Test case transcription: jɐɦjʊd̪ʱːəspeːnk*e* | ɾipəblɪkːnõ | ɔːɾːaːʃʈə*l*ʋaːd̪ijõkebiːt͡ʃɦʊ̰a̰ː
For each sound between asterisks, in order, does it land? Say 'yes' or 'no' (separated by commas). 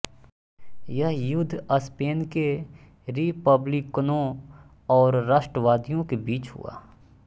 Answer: yes, no